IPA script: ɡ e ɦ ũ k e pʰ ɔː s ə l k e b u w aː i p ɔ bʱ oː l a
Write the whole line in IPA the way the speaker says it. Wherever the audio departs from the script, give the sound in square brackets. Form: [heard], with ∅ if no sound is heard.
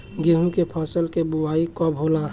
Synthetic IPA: ɡ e ɦ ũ k e pʰ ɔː s ə l k e b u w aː i [k] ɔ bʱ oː l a